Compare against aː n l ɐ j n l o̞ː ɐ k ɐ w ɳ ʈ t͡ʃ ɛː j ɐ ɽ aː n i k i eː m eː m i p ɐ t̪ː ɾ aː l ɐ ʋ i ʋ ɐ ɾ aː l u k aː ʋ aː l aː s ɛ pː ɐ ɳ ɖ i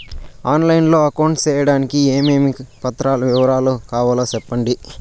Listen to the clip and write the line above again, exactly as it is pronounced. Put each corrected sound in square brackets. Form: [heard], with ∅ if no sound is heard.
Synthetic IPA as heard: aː n l ɐ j n l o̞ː ɐ k ɐ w ɳ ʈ t͡ʃ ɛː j ɐ ɽ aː n i k i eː m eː m i p ɐ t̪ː ɾ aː l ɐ ʋ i ʋ ɐ ɾ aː l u k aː ʋ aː l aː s ɛ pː ɐ ɳ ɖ i